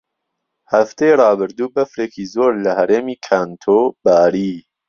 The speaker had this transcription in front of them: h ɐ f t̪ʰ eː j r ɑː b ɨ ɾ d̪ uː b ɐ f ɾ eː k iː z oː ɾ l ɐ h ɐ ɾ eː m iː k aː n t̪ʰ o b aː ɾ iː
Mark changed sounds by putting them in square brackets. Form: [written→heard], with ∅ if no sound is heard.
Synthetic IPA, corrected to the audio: h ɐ f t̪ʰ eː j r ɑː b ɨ ɾ d̪ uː b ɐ f ɾ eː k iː z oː ɾ l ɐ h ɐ ɾ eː m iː [k→kʰ] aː n t̪ʰ o b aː ɾ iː